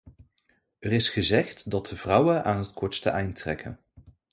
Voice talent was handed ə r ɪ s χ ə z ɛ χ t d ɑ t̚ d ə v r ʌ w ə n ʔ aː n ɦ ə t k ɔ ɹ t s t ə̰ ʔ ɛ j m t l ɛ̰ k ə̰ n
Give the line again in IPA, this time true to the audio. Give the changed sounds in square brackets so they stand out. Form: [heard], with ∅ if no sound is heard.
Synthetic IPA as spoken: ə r ɪ s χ ə z ɛ χ t d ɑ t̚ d ə v r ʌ w ə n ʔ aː n ɦ ə t k ɔ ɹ t s t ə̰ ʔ ɛ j [n] t [r] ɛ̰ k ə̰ n